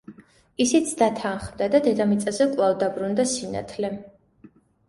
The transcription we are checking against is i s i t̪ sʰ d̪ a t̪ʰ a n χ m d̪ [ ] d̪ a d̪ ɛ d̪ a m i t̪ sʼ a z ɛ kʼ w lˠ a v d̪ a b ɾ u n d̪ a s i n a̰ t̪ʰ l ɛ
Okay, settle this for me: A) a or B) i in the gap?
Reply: A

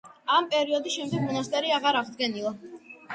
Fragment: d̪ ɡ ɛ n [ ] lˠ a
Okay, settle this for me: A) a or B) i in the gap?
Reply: B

